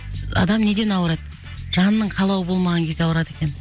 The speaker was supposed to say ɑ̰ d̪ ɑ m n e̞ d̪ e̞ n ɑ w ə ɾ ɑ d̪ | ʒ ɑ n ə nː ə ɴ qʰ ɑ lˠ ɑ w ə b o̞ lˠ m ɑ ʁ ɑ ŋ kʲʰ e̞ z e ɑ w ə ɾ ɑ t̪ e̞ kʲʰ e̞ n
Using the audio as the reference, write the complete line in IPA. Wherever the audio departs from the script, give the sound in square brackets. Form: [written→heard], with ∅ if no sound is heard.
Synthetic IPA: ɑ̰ d̪ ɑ m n e̞ d̪ e̞ n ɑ w ə ɾ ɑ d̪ | ʒ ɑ n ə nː ə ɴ qʰ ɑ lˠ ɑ w ə b o̞ lˠ m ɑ ʁ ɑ ŋ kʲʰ e̞ z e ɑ w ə ɾ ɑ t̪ e̞ [kʲʰ→kʲ] e̞ n